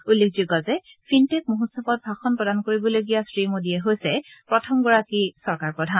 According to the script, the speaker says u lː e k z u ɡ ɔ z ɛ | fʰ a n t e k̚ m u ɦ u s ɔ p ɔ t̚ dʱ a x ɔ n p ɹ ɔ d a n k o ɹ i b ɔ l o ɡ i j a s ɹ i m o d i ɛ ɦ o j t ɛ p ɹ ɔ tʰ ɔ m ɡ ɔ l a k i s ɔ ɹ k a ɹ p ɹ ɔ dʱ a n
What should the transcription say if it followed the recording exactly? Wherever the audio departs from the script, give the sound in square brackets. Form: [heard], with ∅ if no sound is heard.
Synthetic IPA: u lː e k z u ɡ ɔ z ɛ | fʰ [i] n t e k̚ m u ɦ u s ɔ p ɔ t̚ [bʱ] a x ɔ n p ɹ ɔ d a n k o ɹ i b ɔ l o ɡ i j a s ɹ i m o d i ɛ ɦ o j [s] ɛ p ɹ ɔ tʰ ɔ m ɡ ɔ [ɹ] a k i s ɔ ɹ k a ɹ p ɹ ɔ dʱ a n